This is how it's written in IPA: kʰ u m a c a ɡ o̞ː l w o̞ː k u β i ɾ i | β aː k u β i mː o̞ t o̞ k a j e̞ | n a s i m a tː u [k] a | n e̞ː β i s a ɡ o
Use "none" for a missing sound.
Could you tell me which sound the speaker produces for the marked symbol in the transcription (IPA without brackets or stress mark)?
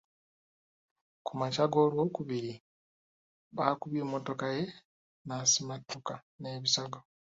k